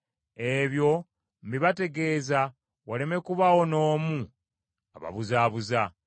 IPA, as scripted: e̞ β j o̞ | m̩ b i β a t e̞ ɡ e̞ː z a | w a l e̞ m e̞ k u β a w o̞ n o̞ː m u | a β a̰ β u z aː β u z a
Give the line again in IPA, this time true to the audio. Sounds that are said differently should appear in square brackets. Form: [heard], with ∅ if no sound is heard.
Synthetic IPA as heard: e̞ β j o̞ | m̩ b i β a t e̞ ɡ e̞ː z a | w a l e̞ m e̞ k u β a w o̞ n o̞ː m u | a β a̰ β u z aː β u z a

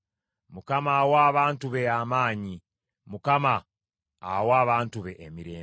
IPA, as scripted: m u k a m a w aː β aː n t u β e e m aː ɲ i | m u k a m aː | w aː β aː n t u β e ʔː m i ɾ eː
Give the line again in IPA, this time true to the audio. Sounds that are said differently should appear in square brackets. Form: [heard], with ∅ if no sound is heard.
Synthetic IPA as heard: m u k a m a w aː β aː n t u β e [a] m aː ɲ i | m u k a m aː | w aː β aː n t u β e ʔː m i ɾ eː

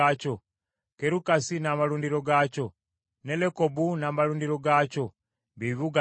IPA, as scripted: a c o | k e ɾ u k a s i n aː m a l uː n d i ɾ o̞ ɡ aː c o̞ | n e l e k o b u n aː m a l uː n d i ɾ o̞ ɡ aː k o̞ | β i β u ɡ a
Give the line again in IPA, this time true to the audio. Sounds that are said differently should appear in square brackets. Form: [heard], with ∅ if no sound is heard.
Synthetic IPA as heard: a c o | k e ɾ u k a s i n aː m a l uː n d i ɾ o̞ ɡ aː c o̞ | n e l e k o b u n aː m a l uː n d i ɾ o̞ ɡ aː [c] o̞ | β i β u ɡ a

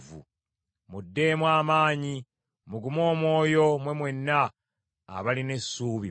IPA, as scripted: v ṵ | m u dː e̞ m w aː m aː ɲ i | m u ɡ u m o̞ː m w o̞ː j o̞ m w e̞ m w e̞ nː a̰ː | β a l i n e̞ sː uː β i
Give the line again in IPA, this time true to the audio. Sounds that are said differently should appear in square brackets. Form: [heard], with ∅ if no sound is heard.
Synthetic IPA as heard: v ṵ | m u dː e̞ m w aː m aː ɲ i | m u ɡ u m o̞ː m w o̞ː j o̞ m w e̞ m w e̞ nː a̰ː | β a l i n e̞ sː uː β i

